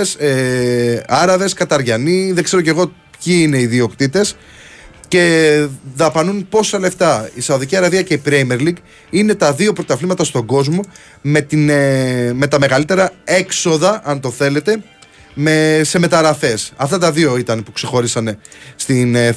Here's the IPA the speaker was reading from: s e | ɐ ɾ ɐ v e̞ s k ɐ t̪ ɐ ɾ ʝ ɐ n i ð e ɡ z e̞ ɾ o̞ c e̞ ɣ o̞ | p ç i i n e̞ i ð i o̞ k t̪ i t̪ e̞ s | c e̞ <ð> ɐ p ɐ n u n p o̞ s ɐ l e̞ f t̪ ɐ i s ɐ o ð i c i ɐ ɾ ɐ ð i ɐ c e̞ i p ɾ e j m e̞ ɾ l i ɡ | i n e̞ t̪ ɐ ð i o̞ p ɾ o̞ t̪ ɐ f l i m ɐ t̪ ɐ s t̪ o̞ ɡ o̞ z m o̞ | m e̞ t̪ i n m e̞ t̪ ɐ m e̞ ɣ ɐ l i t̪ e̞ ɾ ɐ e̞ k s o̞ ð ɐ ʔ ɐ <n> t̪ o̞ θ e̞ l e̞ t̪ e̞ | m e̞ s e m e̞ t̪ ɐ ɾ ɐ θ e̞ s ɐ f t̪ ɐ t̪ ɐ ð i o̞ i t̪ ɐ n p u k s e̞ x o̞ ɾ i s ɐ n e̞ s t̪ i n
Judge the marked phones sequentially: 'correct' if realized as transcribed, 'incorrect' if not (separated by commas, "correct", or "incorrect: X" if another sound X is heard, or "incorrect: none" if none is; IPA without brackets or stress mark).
correct, correct